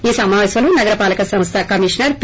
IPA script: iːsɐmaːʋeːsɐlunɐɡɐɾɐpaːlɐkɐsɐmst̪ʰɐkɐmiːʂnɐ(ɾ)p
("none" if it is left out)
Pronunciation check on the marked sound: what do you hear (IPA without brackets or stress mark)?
ɾ